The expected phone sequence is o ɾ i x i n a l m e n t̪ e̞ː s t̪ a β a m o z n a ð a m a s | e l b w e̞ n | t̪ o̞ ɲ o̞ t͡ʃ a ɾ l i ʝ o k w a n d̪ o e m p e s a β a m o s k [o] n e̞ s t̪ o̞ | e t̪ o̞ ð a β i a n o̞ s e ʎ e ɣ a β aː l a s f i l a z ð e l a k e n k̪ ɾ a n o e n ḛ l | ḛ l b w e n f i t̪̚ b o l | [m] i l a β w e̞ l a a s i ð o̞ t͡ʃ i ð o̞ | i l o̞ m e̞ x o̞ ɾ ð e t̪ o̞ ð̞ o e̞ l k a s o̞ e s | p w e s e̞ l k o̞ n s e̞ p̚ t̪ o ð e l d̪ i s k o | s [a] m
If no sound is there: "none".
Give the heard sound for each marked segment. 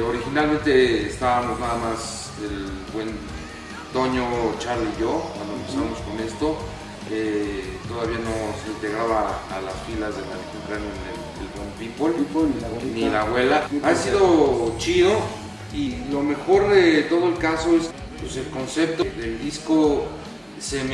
o, n, e

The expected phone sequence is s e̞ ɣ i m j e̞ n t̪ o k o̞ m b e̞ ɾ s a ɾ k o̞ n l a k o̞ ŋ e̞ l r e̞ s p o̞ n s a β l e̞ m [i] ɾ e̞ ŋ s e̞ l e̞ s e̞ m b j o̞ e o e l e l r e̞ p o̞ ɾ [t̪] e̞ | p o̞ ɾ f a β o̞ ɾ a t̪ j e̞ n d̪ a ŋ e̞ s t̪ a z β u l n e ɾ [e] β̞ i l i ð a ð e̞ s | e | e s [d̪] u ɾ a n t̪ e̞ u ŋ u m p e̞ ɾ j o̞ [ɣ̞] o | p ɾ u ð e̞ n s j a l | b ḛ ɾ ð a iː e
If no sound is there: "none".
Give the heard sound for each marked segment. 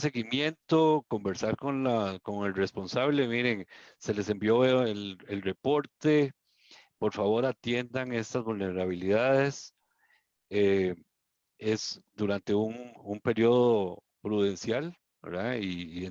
i, t̪, a, d̪, ð̞

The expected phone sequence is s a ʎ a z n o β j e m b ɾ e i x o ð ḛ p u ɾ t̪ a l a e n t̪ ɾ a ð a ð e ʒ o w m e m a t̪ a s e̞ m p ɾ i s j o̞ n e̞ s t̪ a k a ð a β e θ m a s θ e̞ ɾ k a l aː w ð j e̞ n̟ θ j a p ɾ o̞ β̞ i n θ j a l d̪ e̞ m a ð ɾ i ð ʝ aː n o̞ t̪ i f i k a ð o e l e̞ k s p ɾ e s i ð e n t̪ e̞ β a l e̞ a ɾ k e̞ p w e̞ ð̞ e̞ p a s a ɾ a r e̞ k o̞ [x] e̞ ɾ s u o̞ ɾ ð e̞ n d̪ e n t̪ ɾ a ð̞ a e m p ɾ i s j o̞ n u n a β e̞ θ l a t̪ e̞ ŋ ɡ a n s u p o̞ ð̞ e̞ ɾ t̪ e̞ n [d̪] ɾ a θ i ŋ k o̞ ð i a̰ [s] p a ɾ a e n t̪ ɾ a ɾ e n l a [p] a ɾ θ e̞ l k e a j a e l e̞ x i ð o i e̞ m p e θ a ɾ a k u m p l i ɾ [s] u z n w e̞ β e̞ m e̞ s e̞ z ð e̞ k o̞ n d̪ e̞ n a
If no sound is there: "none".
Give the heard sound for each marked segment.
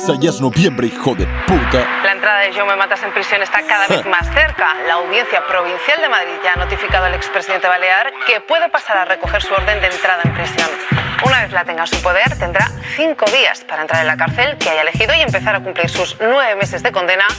x, d̪, s, k, s

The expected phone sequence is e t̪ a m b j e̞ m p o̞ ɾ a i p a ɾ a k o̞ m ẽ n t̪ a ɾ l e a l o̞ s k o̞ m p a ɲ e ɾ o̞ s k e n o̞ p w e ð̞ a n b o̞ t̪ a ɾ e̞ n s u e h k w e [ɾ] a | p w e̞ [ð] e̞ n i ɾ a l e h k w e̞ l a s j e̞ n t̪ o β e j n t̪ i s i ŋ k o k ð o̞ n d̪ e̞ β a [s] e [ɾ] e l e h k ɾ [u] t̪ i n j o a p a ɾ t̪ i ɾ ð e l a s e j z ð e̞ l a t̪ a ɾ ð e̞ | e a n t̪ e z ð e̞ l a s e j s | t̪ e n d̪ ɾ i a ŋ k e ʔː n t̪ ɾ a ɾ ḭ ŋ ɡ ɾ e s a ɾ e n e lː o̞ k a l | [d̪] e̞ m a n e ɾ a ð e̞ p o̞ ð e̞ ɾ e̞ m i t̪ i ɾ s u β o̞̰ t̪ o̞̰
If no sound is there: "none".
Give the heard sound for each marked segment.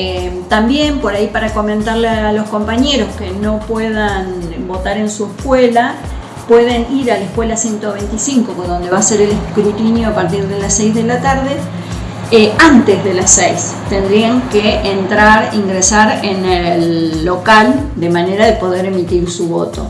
l, ð, s, ɾ, u, d̪

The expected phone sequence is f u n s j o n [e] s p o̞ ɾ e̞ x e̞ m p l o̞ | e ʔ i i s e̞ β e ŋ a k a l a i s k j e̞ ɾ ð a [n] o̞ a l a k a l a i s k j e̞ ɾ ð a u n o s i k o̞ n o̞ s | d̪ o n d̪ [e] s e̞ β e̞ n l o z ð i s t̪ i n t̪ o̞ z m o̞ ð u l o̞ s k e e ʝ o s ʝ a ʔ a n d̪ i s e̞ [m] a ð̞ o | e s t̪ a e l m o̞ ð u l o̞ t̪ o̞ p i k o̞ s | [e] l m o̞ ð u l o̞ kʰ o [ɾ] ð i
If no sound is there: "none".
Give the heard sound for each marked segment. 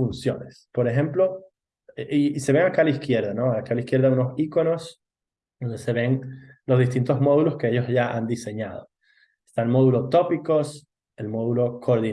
e, n, e, ɲ, e, ɾ

